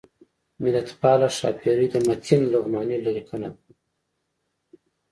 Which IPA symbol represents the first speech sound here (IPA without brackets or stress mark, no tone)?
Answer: m